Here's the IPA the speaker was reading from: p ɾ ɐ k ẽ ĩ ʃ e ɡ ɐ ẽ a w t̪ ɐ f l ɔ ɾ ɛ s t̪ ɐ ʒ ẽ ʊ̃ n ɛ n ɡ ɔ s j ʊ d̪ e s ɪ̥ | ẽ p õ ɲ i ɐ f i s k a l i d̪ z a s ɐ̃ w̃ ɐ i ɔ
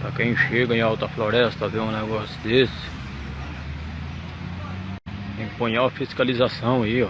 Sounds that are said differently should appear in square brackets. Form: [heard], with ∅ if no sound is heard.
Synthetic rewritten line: p ɾ ɐ k ẽ [j̃] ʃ e ɡ ɐ ẽ a w t̪ ɐ f l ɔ ɾ ɛ s t̪ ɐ [v] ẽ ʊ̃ n ɛ [∅] ɡ ɔ s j ʊ d̪ e s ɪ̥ | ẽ p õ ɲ [a] ɐ f i s k a l i [∅] z a s ɐ̃ w̃ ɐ i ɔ

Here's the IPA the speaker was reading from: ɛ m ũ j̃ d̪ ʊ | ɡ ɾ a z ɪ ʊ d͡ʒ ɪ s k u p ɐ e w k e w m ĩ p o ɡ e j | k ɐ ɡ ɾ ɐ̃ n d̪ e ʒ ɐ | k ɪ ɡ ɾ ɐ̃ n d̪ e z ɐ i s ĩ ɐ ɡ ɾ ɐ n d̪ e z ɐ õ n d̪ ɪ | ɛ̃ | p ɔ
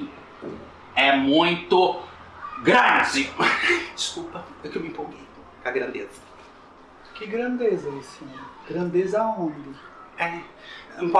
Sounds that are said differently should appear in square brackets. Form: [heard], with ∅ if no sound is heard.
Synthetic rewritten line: ɛ m ũ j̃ [t̪] ʊ | ɡ ɾ a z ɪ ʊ d͡ʒ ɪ s k u p ɐ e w k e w m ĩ p o ɡ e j | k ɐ ɡ ɾ ɐ̃ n d̪ e [z] ɐ | k ɪ ɡ ɾ ɐ̃ n d̪ e z ɐ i s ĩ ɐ ɡ ɾ [ɐ̃] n d̪ e z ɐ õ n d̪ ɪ | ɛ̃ | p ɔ

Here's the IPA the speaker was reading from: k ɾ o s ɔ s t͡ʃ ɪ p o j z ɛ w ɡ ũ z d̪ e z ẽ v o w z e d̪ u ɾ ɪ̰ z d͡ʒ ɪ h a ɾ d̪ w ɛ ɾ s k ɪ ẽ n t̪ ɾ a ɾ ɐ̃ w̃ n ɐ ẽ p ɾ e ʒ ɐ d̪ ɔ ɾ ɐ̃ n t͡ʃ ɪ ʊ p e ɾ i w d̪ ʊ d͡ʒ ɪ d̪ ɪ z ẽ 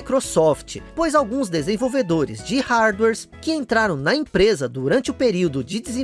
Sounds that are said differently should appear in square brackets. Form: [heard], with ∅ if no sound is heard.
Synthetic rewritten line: k ɾ o s ɔ [f] t͡ʃ ɪ p o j z [a] w ɡ ũ z d̪ e z ẽ v o w [v] e d̪ [o] ɾ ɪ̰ z d͡ʒ ɪ h a ɾ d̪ w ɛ ɾ s k ɪ ẽ n t̪ ɾ a ɾ ɐ̃ w̃ n ɐ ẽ p ɾ e [z] ɐ d̪ [u] ɾ ɐ̃ n t͡ʃ ɪ ʊ p e ɾ i w d̪ ʊ d͡ʒ ɪ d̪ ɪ z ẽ

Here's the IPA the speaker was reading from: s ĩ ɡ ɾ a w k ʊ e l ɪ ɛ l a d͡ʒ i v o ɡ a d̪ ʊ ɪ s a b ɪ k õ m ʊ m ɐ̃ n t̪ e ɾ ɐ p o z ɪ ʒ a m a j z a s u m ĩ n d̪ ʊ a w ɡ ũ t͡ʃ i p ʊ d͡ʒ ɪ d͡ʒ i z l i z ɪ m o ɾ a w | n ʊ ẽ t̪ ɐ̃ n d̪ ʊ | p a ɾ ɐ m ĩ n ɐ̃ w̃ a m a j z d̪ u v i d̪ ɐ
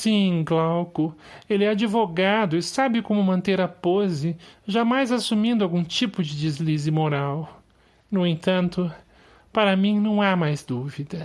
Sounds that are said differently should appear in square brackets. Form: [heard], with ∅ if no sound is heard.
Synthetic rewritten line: s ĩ ɡ [l] a w k ʊ e l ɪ ɛ [∅] a d͡ʒ i v o ɡ a d̪ ʊ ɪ s a b ɪ k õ m ʊ m ɐ̃ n t̪ e ɾ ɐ p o z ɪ ʒ a m a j z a s u m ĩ n d̪ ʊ a w ɡ ũ t͡ʃ i p ʊ d͡ʒ ɪ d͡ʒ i z l i z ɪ m o ɾ a w | n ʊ ẽ t̪ ɐ̃ n [t̪] ʊ | p a ɾ ɐ m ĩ n ɐ̃ w̃ a m a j z d̪ u v i d̪ ɐ

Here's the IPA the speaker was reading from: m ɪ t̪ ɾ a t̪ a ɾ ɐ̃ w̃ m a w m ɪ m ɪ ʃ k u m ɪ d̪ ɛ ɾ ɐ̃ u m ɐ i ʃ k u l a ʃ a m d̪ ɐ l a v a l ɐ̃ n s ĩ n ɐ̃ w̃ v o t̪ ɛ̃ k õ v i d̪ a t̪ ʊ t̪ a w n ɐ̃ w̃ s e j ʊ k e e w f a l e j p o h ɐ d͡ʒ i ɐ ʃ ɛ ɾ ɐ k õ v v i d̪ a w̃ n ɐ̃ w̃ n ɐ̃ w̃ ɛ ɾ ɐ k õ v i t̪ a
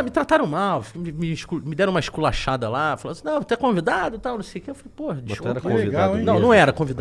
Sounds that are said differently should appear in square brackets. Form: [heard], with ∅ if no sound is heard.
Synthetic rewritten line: m ɪ t̪ ɾ a t̪ a ɾ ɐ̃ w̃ m a w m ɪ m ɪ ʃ k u m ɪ d̪ ɛ ɾ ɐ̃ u m ɐ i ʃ k u l a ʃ a [∅] d̪ ɐ l a [f] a l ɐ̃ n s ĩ n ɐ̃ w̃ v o t̪ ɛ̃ k õ v i d̪ a [d̪] ʊ t̪ a w n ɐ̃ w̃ s e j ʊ k e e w f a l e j p o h ɐ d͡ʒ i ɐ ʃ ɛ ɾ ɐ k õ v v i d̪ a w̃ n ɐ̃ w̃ n ɐ̃ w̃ ɛ ɾ ɐ k õ v i [d̪] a

